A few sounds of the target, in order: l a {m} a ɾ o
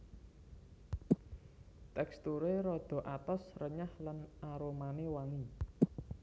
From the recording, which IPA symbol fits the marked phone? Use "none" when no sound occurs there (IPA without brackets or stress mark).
n